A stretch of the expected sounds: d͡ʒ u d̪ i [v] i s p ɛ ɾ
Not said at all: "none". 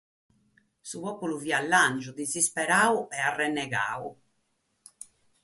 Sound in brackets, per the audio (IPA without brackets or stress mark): z